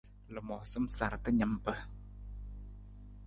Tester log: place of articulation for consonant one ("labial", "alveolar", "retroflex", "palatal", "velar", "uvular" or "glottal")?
alveolar